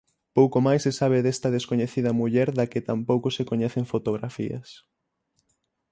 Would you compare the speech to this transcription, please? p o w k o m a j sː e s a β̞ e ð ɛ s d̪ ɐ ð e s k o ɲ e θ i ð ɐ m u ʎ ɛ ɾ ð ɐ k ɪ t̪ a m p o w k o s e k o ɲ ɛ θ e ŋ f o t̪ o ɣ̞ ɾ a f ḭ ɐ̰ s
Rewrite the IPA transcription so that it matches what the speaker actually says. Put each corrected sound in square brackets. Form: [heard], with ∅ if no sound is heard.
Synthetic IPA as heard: p o w k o m a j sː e s a β̞ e ð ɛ s [t̪] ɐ ð e s k o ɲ e θ i ð ɐ m u ʎ ɛ ɾ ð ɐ k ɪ t̪ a m p o w k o s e k o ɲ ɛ θ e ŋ f o t̪ o ɣ̞ ɾ a f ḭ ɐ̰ s